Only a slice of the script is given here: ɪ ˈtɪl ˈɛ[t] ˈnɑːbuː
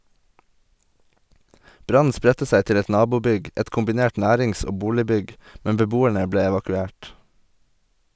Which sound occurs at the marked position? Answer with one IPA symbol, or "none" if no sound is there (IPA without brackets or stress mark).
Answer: t